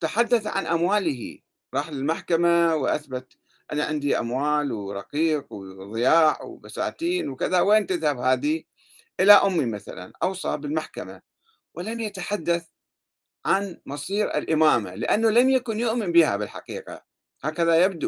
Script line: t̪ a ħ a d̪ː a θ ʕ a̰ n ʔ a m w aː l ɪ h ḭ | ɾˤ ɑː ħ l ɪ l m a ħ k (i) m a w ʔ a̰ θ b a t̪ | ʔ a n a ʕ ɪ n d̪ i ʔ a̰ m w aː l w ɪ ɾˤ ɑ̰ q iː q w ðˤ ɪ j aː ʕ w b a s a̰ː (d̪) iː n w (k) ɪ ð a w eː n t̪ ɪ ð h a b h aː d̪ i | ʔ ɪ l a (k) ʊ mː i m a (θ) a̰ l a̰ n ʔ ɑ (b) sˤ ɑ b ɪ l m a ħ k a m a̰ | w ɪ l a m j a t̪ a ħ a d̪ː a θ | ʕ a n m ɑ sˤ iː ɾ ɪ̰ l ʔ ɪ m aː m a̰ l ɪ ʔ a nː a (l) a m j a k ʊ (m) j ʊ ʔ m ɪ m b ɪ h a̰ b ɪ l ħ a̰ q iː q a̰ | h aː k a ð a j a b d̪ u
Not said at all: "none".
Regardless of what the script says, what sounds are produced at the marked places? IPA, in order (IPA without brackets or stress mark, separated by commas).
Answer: a, t̪, k, ʔ, θ, w, l, n